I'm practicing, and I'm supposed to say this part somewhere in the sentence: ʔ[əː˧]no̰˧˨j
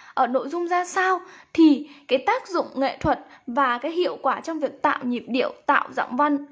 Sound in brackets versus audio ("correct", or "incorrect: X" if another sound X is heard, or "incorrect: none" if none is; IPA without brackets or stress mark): incorrect: əː˧˩